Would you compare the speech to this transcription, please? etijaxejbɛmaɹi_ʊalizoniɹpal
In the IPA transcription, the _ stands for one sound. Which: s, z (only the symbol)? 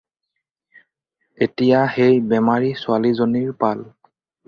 s